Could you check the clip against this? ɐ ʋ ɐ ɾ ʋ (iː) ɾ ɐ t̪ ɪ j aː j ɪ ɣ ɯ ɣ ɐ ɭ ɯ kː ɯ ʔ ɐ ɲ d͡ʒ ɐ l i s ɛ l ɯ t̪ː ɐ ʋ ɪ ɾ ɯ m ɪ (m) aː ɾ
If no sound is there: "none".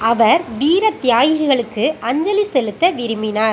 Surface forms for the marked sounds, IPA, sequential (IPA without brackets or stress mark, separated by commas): iː, n